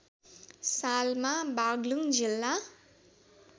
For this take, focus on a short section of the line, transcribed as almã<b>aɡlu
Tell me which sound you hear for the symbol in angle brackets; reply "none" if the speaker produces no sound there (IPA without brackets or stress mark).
b